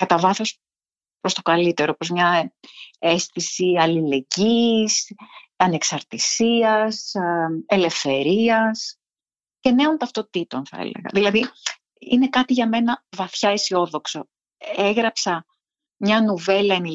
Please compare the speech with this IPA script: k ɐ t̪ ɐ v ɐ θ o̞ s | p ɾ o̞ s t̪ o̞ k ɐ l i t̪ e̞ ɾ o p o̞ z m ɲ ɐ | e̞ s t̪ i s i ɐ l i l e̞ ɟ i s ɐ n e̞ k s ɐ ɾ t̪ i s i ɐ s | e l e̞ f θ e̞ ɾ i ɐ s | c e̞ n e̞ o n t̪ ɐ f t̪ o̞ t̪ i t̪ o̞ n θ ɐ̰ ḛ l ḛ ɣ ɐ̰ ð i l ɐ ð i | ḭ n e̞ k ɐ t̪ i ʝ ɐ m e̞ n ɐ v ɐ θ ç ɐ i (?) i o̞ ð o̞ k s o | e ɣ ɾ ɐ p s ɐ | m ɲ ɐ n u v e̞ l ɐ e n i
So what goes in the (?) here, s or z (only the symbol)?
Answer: s